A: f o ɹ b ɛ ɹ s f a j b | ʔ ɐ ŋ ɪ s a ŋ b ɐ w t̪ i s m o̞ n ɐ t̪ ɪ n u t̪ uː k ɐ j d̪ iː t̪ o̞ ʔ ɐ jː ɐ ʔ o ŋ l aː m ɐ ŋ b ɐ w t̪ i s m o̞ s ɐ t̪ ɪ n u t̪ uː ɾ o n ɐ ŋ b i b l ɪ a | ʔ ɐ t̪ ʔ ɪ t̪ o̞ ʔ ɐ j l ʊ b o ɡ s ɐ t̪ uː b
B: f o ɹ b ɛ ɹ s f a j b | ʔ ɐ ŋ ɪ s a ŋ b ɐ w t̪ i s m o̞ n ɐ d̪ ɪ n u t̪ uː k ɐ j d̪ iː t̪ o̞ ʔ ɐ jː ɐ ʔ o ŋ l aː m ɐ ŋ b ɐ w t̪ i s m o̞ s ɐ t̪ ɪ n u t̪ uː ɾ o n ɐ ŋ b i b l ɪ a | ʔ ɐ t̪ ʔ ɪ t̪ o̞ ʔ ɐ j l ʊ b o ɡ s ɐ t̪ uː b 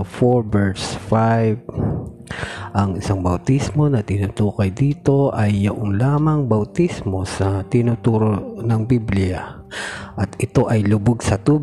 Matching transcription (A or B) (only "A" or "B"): A